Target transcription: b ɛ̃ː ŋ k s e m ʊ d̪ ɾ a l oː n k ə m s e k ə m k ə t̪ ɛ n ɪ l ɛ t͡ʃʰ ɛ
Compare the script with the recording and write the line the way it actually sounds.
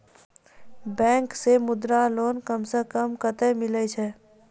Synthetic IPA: b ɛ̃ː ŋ k s e m ʊ d̪ ɾ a l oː n k ə m s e k ə m k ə t̪ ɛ m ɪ l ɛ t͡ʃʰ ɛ